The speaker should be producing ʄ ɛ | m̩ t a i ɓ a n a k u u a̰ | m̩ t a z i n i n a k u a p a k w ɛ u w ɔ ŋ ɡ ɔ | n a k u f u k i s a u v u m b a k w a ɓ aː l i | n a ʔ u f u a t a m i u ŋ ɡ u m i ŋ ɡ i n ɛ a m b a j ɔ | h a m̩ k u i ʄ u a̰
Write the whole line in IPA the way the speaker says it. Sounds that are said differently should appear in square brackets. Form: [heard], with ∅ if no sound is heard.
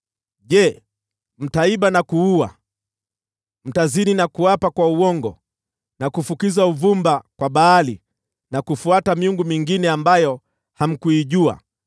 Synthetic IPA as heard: ʄ ɛ | m̩ t a i ɓ a n a k u u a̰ | m̩ t a z i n i n a k u a p a k w [a] u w ɔ ŋ ɡ ɔ | n a k u f u k i [z] a u v u m b a k w a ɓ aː l i | n a [k] u f u a t a m i u ŋ ɡ u m i ŋ ɡ i n ɛ a m b a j ɔ | h a m̩ k u i ʄ u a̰